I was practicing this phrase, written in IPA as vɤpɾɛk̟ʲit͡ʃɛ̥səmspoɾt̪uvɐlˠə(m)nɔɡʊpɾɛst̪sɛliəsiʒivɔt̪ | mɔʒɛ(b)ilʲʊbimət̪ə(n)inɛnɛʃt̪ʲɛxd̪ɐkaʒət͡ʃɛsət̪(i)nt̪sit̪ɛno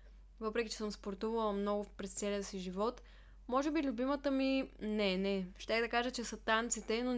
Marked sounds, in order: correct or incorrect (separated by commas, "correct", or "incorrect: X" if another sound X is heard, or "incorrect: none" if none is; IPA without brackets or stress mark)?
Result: correct, correct, incorrect: m, incorrect: a